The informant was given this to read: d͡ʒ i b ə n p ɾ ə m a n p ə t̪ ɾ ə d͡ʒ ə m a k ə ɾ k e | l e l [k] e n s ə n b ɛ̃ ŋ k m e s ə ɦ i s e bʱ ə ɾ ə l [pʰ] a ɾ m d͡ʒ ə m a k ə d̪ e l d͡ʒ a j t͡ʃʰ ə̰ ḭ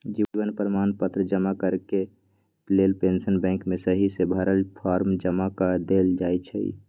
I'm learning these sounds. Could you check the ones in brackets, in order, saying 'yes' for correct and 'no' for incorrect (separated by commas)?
no, yes